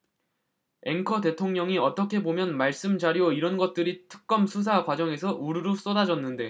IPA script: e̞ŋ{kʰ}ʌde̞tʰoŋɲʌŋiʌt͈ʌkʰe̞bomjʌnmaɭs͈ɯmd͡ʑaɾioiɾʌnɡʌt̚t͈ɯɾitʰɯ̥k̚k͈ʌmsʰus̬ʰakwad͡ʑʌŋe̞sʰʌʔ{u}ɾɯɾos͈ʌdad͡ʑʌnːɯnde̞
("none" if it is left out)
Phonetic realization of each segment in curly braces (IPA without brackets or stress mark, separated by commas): kʰ, u